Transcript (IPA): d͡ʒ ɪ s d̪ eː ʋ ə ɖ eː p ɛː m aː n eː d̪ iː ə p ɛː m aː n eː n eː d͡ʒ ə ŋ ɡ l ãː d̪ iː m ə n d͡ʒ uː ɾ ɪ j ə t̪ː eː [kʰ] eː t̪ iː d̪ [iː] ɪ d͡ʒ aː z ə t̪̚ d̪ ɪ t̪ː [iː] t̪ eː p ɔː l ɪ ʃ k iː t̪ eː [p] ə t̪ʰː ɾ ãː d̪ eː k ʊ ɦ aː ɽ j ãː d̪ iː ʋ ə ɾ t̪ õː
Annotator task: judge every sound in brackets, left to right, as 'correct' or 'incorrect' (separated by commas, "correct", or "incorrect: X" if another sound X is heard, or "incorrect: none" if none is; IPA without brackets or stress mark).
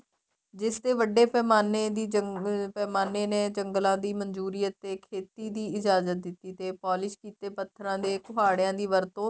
correct, correct, correct, correct